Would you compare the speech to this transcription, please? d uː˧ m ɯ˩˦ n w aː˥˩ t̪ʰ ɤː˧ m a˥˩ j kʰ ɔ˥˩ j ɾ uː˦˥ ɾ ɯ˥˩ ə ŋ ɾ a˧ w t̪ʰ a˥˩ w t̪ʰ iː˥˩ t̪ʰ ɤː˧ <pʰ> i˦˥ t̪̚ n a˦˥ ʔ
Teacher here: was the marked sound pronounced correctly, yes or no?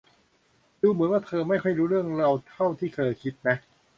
no